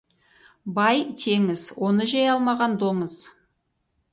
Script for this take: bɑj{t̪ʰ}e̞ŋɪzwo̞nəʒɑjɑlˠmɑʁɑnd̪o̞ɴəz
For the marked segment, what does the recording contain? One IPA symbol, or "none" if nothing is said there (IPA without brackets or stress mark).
t̪ʰ